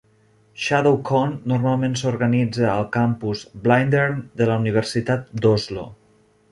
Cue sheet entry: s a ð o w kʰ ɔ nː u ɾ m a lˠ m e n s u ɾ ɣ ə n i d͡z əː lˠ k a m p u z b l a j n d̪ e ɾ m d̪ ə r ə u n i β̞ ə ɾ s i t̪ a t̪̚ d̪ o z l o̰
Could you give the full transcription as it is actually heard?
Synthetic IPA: ʃ a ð o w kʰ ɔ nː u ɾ m a lˠ m e n s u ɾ ɣ ə n i d͡z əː lˠ k a m p u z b l a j n d̪ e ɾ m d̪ ə l ə u n i β̞ ə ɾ s i t̪ a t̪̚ d̪ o z l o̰